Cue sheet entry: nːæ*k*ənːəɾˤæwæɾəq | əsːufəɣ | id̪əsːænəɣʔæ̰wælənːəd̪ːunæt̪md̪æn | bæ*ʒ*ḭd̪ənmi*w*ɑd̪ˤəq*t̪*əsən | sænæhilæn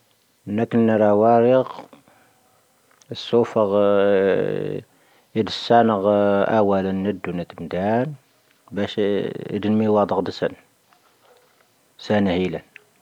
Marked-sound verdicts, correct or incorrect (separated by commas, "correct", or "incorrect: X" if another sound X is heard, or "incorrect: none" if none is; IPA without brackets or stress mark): correct, incorrect: ʃ, correct, incorrect: d̪